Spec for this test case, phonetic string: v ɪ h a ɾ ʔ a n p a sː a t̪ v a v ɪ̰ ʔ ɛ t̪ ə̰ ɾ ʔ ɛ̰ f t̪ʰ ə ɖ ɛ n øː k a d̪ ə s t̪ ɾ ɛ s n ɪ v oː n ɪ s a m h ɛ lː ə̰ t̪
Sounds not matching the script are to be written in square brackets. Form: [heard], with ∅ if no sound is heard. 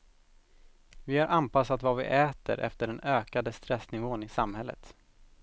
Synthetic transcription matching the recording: v ɪ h a ɾ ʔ a n p a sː a t̪ v a v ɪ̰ ʔ [ɛː] t̪ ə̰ ɾ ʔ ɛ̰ f [t̪] ə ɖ ɛ n øː k a d̪ ə s t̪ ɾ ɛ s n ɪ v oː n ɪ s a m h ɛ lː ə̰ t̪